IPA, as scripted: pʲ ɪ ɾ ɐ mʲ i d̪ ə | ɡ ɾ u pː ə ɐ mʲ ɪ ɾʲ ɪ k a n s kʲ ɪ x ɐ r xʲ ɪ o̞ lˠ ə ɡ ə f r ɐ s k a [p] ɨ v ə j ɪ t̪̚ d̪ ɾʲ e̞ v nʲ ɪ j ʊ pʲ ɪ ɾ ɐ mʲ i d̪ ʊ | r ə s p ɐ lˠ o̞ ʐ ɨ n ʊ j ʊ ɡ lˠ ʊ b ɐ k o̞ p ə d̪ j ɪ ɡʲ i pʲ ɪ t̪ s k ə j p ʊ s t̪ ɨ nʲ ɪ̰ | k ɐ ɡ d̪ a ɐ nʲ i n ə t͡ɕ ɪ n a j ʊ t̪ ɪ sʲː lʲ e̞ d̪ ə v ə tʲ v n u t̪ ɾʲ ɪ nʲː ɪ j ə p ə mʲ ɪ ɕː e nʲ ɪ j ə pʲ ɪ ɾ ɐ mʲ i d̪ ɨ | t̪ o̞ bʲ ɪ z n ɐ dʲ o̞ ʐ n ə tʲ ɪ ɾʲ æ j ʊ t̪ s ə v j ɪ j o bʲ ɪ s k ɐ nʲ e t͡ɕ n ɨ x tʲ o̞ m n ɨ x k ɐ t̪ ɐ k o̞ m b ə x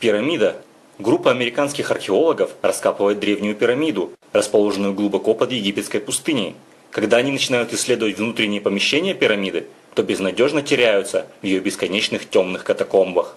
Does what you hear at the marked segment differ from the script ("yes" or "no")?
no